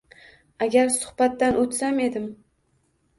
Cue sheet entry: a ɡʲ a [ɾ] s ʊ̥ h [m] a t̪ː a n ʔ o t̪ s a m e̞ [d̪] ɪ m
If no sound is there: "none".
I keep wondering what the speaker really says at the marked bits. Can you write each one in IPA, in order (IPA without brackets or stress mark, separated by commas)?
ɾ, b, d̪